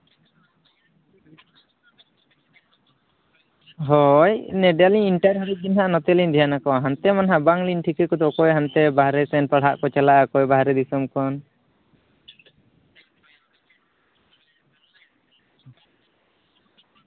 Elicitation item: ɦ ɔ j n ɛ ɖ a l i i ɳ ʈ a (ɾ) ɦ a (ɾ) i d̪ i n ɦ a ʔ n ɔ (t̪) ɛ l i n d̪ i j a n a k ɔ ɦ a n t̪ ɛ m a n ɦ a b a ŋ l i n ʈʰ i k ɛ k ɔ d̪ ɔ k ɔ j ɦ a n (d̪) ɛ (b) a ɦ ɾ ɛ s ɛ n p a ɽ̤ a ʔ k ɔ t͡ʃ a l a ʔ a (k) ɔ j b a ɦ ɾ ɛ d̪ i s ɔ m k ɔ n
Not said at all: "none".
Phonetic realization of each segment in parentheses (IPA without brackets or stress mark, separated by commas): ɾ, ɾ, t̪, t̪, b, k